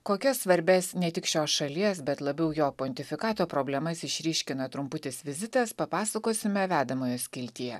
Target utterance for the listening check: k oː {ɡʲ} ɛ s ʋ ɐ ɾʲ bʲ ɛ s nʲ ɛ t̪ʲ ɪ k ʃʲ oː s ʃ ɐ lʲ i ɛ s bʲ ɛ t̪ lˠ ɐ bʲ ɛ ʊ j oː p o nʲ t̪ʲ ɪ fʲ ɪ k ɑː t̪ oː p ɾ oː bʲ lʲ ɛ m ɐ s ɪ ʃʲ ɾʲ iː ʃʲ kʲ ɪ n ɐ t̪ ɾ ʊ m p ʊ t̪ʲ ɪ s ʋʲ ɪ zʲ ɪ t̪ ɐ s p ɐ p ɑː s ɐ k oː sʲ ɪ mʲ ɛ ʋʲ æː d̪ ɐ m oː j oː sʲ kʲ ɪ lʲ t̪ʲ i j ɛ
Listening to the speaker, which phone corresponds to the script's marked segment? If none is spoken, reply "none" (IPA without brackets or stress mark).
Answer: kʲ